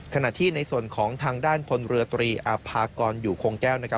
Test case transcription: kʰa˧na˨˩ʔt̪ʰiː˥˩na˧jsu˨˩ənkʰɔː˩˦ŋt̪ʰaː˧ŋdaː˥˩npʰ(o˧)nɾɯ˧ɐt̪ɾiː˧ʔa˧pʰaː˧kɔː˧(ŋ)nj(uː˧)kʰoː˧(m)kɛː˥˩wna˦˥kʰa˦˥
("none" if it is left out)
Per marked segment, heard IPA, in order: o˧, none, uː˨˩, ŋ

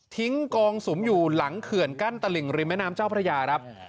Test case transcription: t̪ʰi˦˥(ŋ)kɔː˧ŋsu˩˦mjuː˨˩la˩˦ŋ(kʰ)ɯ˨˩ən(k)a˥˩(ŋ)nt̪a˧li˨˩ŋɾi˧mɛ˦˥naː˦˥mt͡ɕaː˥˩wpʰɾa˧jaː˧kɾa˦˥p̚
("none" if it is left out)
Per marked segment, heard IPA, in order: ŋ, kʰ, k, none

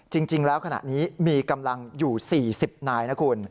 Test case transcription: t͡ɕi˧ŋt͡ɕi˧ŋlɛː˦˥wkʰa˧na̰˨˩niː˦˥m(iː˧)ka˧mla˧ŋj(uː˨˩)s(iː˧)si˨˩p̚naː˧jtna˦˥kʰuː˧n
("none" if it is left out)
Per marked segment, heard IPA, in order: iː˧, uː˨˩, iː˨˩

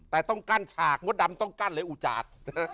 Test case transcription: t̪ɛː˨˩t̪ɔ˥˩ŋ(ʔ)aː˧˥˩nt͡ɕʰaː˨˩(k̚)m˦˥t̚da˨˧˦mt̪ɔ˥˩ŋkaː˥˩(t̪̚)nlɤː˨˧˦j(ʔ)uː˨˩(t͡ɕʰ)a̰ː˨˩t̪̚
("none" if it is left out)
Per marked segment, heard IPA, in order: k, k̚, none, ʔ, t͡ɕ

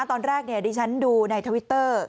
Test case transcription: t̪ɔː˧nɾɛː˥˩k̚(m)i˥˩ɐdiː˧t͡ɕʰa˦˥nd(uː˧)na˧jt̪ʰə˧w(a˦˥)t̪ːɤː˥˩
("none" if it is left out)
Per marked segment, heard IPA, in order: n, uː˧, i˦˥

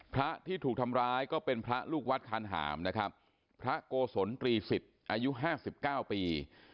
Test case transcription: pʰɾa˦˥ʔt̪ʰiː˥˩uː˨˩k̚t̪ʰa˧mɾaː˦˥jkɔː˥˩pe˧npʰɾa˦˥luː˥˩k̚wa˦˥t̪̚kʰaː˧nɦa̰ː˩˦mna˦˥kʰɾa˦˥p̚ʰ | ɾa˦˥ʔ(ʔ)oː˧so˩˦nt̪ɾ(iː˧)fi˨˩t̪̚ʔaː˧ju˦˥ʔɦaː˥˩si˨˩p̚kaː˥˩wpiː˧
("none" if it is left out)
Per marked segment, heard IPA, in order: k, iː˧

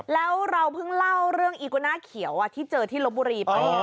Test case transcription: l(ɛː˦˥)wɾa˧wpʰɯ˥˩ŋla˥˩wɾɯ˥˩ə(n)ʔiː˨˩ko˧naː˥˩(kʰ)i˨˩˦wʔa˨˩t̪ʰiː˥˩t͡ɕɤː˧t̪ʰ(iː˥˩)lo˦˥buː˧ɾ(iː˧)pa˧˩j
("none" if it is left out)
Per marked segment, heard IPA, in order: ɛː˦˥, ŋ, kʰ, iː˥˩, iː˧

